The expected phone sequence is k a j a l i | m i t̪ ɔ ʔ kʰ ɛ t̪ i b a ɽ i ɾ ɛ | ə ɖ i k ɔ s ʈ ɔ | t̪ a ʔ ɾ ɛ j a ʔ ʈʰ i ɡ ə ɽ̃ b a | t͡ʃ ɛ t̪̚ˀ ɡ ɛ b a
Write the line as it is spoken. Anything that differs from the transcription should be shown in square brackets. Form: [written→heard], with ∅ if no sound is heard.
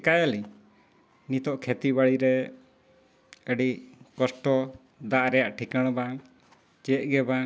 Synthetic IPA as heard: k a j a l i | [m→n] i t̪ ɔ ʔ kʰ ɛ t̪ i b a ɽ i ɾ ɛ | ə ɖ i k ɔ s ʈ ɔ | [t̪→d̪] a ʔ ɾ ɛ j a ʔ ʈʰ i [ɡ→k] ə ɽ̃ b a | t͡ʃ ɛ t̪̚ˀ ɡ ɛ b a